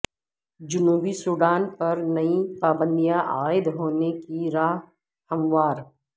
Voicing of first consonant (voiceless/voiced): voiced